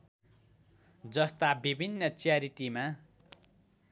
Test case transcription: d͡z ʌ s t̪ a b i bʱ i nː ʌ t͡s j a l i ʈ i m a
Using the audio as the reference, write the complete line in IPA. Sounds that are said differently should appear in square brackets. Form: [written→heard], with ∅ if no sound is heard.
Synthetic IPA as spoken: d͡z ʌ s t̪ a b i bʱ i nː ʌ t͡s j a [l→ɾ] i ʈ i m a